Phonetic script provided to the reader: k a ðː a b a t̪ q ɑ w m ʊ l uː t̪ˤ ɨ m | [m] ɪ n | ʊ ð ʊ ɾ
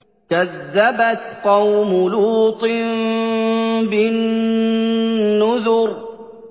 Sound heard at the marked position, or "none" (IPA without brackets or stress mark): b